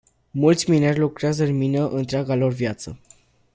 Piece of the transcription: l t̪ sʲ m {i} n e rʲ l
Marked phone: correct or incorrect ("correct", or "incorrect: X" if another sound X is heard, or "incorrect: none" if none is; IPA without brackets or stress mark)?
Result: correct